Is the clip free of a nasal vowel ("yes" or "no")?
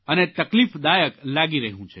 no